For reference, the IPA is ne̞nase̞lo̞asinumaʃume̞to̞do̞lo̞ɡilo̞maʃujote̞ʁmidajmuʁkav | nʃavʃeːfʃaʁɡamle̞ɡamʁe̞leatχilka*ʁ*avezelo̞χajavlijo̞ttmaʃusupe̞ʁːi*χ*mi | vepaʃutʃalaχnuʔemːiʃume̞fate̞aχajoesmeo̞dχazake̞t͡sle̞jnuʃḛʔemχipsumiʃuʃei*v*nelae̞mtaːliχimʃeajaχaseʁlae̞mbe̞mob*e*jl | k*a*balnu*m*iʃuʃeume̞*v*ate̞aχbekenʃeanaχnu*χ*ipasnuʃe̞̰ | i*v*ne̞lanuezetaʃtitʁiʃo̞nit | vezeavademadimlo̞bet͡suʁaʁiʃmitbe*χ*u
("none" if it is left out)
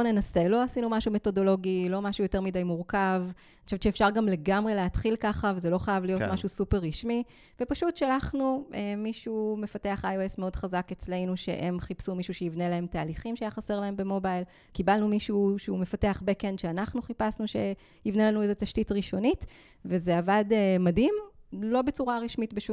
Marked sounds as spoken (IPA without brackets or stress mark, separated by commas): χ, ʃ, v, a, i, m, f, χ, v, ʃ